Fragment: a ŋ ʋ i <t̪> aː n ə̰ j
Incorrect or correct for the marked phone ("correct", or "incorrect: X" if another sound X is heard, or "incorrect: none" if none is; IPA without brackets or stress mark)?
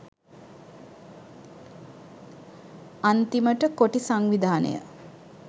incorrect: d̪